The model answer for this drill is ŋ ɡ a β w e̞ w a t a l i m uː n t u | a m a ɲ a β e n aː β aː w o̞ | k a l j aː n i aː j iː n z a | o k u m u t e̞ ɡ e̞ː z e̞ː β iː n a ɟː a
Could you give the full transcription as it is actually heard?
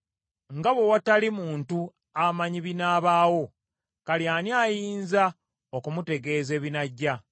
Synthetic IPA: ŋ ɡ a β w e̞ w a t a l i m uː n t u | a m a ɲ i β i n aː β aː w o̞ | k a l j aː n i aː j iː n z a | o k u m u t e̞ ɡ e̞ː z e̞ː β i n a ɟː a